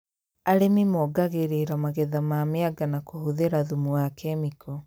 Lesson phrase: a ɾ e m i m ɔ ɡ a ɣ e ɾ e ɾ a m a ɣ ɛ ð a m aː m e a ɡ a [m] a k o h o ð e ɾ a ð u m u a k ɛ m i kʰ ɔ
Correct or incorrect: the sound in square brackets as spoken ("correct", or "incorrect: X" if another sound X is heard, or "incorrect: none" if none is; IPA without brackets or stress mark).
incorrect: n